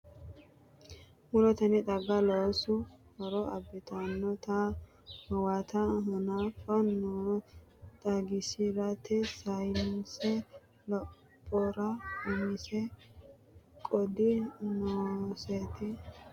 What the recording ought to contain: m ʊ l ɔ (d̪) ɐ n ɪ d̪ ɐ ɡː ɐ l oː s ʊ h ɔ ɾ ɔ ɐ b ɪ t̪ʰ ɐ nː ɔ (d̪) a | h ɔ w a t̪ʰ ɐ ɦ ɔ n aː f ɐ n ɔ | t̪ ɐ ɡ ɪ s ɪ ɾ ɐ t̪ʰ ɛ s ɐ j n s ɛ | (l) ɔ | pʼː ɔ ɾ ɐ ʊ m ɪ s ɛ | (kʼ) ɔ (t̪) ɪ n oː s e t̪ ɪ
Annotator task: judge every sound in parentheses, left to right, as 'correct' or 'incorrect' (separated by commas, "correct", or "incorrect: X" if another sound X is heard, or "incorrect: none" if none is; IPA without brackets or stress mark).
incorrect: t̪, incorrect: t̪, correct, correct, incorrect: d̪